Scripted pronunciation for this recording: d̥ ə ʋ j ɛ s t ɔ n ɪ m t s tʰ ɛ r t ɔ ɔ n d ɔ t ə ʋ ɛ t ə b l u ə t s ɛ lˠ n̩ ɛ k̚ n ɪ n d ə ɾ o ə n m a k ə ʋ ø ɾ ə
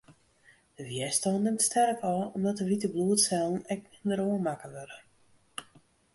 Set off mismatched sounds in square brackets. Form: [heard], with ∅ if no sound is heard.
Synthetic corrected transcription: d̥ ə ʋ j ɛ s t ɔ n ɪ m t s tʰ ɛ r [k] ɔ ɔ [m] d ɔ t ə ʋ [i] t ə b l u ə t s ɛ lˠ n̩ ɛ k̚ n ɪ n d ə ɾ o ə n m a k ə ʋ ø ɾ ə